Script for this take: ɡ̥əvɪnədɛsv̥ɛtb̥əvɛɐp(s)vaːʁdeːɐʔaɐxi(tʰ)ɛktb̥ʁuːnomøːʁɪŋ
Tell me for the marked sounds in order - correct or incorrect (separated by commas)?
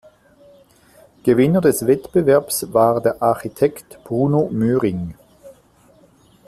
correct, correct